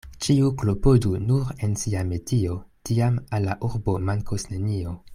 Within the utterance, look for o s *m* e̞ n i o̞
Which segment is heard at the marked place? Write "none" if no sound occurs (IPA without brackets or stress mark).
n